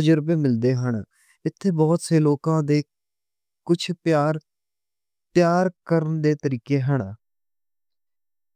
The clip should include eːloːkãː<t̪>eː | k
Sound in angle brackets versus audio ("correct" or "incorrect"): incorrect